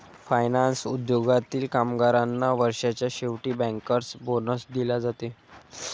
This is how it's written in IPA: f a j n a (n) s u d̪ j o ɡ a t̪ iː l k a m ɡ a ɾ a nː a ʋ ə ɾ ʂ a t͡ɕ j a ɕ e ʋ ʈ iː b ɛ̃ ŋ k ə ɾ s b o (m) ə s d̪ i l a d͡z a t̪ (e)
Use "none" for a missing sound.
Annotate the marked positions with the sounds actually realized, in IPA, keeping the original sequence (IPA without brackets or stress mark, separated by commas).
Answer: n, n, e